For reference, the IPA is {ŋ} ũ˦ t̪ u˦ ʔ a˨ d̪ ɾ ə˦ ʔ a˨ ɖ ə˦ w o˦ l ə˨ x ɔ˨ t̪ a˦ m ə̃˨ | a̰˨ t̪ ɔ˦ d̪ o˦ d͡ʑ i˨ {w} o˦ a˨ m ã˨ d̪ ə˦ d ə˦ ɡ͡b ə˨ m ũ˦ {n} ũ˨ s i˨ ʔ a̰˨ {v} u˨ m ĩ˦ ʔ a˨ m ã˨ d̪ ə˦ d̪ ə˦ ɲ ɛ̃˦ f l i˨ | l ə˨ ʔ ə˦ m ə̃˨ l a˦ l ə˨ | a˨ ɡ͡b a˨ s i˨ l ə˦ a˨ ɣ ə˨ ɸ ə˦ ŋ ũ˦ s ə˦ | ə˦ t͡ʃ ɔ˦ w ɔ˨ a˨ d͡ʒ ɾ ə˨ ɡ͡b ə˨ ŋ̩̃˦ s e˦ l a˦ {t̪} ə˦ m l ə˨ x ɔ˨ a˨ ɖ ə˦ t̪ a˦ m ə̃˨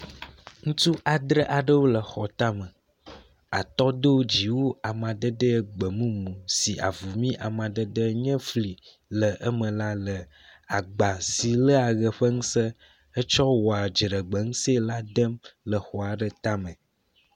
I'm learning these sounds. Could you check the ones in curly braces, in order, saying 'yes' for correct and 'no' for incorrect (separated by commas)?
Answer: yes, yes, no, yes, no